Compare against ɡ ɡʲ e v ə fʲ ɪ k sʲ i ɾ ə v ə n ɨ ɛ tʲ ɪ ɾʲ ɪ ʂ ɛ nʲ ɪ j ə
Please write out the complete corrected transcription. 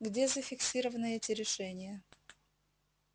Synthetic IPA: ɡ dʲ e z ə fʲ ɪ k sʲ i ɾ ə v ə n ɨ ɛ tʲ ɪ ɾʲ ɪ ʂ ɛ nʲ ɪ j ə